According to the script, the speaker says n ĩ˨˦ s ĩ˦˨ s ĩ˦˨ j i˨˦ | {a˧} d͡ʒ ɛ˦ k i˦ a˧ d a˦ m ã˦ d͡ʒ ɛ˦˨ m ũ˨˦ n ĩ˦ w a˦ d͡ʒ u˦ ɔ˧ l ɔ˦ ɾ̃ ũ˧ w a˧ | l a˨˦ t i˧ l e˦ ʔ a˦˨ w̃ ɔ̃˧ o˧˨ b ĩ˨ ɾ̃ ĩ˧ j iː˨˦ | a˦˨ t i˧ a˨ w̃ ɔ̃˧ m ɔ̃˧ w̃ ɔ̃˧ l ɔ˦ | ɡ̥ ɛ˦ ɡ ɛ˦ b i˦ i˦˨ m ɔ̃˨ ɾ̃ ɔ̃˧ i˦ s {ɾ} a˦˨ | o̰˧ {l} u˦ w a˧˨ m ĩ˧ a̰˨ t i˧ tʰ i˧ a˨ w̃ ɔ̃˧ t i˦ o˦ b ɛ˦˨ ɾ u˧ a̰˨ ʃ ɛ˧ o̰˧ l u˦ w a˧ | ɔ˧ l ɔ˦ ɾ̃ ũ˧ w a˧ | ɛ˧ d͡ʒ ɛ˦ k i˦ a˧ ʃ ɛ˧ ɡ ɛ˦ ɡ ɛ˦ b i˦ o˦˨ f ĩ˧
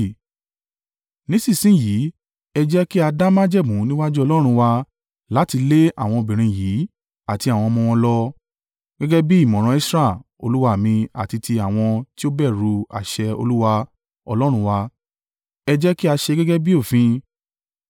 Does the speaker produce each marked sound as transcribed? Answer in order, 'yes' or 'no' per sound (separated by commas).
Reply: no, yes, yes